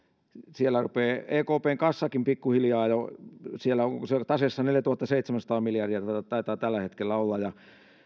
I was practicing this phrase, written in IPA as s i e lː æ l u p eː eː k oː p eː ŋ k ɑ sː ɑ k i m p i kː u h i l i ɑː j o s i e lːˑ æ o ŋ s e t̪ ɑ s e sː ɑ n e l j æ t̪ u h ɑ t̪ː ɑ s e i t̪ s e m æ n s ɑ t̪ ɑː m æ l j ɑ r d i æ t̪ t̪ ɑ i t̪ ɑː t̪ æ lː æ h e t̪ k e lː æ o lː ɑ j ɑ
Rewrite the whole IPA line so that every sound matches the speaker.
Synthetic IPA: s i e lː æ r u p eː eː k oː p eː ŋ k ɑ sː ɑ k i m p i kː u h i l j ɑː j o s i e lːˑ æ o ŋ s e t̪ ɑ s e sː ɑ n e l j æ t̪ u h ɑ t̪ː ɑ s e i t̪ s e m æ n s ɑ t̪ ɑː m i l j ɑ r d i æ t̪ t̪ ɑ i t̪ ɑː t̪ æ lː æ h e t̪ k e lː æ o lː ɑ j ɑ